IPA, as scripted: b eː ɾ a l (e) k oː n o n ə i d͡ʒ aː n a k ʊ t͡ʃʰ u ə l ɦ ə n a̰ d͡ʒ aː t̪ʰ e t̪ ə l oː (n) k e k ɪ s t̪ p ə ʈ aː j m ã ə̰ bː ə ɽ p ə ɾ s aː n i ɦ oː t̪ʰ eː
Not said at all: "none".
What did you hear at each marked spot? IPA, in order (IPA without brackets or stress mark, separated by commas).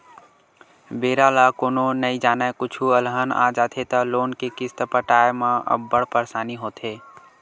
a, n